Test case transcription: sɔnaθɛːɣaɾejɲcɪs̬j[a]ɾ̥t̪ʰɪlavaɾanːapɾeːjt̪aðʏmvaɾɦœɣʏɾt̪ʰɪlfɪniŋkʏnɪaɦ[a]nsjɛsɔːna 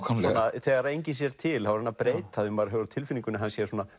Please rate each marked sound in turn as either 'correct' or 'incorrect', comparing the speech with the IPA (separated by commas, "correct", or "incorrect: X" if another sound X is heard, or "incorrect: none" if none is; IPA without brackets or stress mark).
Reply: incorrect: ɛ, correct